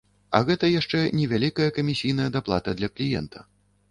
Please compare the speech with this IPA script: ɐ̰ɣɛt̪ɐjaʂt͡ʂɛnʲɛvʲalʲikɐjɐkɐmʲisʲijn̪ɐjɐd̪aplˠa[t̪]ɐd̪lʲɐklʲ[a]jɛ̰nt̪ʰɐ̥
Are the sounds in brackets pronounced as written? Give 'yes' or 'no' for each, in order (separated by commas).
yes, no